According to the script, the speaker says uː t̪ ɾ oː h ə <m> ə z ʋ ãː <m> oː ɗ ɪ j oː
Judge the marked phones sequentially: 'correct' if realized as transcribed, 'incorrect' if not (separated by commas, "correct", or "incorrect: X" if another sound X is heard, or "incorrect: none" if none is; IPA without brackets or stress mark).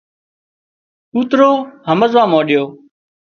correct, correct